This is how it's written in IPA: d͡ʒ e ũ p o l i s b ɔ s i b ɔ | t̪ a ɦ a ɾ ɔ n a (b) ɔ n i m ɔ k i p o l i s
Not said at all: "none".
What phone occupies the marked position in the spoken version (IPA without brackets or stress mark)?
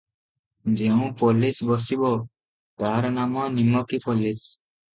m